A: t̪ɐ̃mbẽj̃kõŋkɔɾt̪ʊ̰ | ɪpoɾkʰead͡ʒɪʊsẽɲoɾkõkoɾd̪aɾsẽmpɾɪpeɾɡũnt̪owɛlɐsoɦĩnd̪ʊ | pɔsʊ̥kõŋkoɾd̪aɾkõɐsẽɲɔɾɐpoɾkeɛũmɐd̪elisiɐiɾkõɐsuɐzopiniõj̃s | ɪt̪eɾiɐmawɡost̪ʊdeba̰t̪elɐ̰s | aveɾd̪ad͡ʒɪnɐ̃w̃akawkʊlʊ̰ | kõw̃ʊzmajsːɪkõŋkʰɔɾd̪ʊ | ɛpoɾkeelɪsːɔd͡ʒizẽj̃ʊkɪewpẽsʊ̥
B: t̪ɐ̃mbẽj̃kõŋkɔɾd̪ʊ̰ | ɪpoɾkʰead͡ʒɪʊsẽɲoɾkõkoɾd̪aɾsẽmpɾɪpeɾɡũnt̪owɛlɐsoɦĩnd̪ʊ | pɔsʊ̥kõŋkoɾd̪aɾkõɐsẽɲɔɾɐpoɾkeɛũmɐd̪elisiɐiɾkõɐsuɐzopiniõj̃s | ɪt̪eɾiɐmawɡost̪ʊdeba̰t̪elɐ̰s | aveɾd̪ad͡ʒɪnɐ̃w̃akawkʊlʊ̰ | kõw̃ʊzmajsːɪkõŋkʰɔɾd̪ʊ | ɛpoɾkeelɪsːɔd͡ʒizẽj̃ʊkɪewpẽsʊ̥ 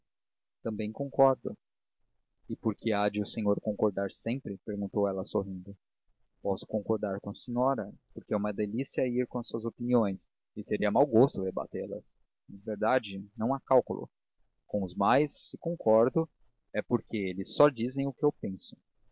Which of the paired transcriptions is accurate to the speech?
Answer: B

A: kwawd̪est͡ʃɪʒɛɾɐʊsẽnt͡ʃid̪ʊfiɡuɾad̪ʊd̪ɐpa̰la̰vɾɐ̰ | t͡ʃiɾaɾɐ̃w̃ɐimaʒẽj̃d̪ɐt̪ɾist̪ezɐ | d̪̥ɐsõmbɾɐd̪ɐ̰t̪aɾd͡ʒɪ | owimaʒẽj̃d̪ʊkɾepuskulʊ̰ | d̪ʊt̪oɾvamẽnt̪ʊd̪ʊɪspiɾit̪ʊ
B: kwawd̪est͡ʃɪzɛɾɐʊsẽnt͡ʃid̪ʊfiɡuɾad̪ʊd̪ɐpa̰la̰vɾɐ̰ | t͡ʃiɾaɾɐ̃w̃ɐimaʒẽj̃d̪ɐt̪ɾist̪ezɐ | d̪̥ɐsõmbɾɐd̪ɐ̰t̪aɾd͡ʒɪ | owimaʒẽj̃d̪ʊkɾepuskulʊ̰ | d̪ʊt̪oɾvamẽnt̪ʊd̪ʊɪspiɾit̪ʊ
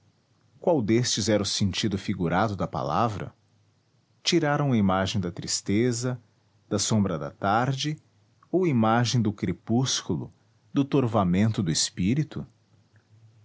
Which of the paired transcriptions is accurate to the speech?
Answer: B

